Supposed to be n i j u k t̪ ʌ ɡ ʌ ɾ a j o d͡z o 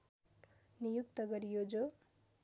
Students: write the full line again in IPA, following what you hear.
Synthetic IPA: n i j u k t̪ ʌ ɡ ʌ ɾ i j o d͡z o